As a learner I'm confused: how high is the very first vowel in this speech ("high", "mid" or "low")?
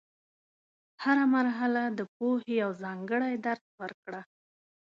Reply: low